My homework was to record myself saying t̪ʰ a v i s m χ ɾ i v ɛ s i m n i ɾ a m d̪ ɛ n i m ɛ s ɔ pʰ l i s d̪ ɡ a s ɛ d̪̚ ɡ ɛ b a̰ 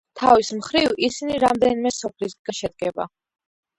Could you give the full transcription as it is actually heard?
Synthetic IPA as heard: t̪ʰ a v i s m χ ɾ i v i s i n i ɾ a m d̪ ɛ n i m ɛ s ɔ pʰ l i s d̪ ɡ a ʃ ɛ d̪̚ ɡ ɛ b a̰